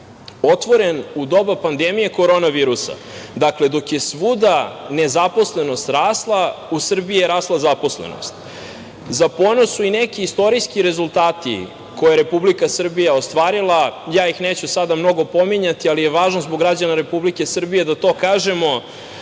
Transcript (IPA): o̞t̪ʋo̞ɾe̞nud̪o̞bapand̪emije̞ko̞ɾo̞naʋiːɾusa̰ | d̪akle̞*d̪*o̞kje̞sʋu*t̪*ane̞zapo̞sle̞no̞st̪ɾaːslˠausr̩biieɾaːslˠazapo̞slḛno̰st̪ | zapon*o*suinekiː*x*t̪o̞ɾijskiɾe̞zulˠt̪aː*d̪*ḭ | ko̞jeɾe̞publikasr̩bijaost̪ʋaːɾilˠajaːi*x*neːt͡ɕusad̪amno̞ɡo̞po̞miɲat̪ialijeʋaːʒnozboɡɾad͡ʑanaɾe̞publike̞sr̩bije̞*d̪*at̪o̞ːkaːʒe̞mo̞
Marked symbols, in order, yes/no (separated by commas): yes, no, yes, no, no, yes, yes